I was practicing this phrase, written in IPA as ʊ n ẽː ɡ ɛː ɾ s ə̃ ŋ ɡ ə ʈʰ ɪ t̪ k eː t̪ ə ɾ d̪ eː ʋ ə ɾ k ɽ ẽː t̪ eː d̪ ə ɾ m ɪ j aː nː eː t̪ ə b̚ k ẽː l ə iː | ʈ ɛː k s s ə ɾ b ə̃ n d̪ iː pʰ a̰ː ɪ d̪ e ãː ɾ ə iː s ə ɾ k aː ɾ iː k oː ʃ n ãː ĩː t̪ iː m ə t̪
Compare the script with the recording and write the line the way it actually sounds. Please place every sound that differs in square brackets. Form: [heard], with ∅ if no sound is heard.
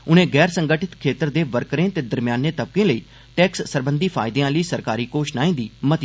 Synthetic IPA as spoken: ʊ n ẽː ɡ ɛː ɾ s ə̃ ŋ ɡ ə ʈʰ ɪ t̪ [kʰ] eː t̪ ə ɾ d̪ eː ʋ ə ɾ k [ɾ] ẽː t̪ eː d̪ ə ɾ m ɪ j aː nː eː t̪ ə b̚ k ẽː l ə iː | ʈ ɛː k s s ə ɾ b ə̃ n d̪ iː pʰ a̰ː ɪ d̪ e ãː [l] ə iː s ə ɾ k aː ɾ iː k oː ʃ n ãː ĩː [d̪] iː m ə t̪